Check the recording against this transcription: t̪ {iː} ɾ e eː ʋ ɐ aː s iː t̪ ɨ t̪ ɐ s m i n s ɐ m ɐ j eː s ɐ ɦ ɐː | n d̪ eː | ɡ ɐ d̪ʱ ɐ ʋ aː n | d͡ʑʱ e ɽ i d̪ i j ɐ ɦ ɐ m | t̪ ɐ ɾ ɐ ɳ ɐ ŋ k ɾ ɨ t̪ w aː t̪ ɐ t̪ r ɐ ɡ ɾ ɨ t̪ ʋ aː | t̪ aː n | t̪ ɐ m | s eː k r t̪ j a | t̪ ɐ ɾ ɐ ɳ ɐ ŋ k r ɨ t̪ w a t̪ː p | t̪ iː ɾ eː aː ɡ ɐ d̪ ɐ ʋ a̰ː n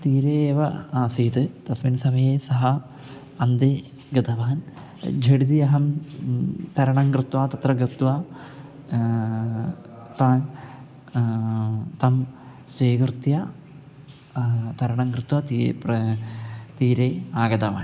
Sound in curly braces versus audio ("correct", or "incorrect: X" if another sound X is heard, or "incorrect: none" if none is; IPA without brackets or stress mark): correct